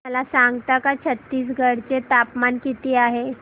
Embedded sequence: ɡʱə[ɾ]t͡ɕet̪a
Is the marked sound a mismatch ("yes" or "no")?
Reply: yes